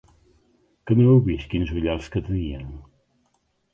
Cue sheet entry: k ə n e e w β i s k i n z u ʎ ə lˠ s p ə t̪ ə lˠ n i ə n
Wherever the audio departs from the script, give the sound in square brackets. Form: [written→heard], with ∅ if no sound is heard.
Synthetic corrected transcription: k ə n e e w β i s k i n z u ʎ [ə→a] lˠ s [p→k] ə t̪ ə [lˠ→∅] n i ə n

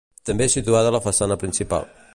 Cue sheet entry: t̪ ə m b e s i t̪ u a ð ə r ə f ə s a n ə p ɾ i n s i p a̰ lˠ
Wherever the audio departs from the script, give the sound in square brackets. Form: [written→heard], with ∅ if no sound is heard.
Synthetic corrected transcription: t̪ ə m b e s i t̪ u a ð ə [r→l] ə f ə s a n ə p ɾ i n s i p a̰ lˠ

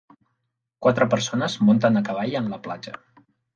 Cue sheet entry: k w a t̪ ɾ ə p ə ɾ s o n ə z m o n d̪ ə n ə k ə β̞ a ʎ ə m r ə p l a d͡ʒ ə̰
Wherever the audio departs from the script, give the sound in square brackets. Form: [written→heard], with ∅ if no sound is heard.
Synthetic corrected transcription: k w a t̪ ɾ ə p ə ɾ s o n ə z m o n [d̪→t̪] ə n ə k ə β̞ a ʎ ə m [r→l] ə p l a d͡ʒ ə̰

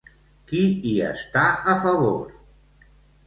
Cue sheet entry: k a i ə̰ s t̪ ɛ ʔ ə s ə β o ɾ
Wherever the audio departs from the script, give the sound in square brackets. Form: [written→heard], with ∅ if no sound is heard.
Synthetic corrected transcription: k [a→i] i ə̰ s t̪ [ɛ→a] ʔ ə [s→f] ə β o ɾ

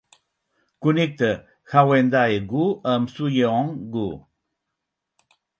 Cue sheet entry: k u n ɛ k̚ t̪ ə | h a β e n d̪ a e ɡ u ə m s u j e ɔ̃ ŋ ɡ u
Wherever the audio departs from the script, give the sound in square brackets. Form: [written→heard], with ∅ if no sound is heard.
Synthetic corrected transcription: k u n [ɛ→i] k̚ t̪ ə | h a [β→w] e n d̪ a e ɡ u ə m s u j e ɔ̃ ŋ ɡ u

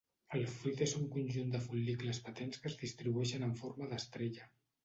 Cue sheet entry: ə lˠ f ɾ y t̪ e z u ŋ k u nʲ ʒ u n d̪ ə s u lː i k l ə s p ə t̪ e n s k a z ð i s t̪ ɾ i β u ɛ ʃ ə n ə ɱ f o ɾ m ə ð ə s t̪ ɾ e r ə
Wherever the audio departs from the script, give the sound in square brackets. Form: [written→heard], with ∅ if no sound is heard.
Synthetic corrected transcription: ə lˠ f ɾ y t̪ e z u ŋ k u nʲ ʒ u n d̪ ə [s→f] u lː i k l ə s p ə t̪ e n s k [a→ə] z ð i s t̪ ɾ i β u ɛ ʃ ə n ə ɱ f o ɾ m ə ð ə s t̪ ɾ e [r→ʎ] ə

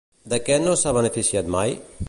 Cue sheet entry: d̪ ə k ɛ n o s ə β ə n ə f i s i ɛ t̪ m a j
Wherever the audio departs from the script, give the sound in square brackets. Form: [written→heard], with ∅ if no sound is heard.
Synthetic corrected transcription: d̪ ə k ɛ n o s [ə→a] β ə n ə f i s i [ɛ→a] t̪ m a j

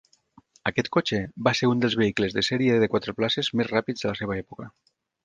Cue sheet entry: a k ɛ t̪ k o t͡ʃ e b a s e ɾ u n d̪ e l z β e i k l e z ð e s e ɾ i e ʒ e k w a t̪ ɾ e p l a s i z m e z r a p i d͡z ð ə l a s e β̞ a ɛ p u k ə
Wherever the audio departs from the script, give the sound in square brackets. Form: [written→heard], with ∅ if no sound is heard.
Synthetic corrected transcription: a k ɛ t̪ k o t͡ʃ e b a s e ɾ u n d̪ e l z β e i k l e z ð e s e ɾ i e [ʒ→ð] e k w a t̪ ɾ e p l a s [i→e] z m e z r a p i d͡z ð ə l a s e β̞ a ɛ p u k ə

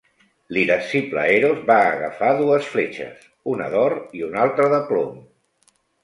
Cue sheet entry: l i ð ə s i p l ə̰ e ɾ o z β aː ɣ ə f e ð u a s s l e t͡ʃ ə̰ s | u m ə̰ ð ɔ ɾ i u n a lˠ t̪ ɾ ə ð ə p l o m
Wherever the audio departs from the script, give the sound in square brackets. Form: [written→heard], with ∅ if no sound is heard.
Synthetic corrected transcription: l i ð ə s i p l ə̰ e ɾ o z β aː ɣ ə f [e→a] ð u [a→ə] s [s→f] l e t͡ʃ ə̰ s | u [m→n] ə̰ ð ɔ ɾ i u n a lˠ t̪ ɾ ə ð ə p l o m

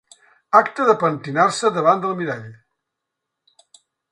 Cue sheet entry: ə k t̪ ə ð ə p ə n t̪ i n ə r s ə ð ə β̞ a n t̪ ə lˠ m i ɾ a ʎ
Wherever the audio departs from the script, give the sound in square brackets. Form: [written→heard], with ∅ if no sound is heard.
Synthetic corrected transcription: [ə→a] k t̪ ə ð ə p ə n t̪ i n [ə→a] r s ə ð ə β̞ a n [t̪→d̪] ə lˠ m i ɾ a ʎ

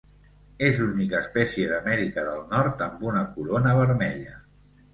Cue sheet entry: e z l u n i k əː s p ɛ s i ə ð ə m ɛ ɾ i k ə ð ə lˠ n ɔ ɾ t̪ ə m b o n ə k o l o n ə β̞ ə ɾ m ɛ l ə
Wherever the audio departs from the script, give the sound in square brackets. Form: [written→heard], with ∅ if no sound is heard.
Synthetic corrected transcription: e z l u n i k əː s p ɛ s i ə ð ə m ɛ ɾ i k ə ð ə lˠ n ɔ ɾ t̪ ə m b [o→u] n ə k [o→u] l o n ə β̞ ə ɾ m ɛ [l→ʎ] ə

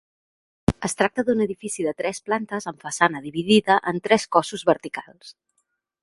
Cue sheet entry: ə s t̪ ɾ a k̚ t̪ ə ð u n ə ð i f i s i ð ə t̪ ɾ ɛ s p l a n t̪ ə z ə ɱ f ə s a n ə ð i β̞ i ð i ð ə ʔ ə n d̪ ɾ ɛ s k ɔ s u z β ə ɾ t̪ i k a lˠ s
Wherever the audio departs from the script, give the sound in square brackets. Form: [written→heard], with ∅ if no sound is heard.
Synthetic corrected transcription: ə s t̪ ɾ a k̚ t̪ ə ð u n ə ð i f i s i ð ə t̪ ɾ ɛ s p l a n t̪ ə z ə ɱ f ə s a n ə ð i β̞ i ð i ð ə ʔ ə n [d̪→t̪] ɾ ɛ s k ɔ s u z β ə ɾ t̪ i k a lˠ s

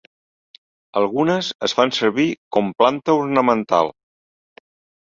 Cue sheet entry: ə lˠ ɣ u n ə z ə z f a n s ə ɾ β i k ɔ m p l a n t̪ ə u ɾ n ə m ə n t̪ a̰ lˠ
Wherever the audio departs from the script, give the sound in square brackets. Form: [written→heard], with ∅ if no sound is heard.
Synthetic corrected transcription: ə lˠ ɣ u n ə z ə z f a n s ə ɾ β i k ɔ m p l a n t̪ ə u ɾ n ə m ə n t̪ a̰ lˠ

